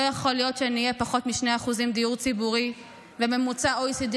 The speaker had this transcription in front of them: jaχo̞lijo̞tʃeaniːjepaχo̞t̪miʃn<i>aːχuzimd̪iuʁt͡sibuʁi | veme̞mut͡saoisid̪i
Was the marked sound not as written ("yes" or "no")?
yes